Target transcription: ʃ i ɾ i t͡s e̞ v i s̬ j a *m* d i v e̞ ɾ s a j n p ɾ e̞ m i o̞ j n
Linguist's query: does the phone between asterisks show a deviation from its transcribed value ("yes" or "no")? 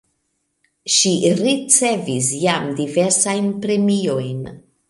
no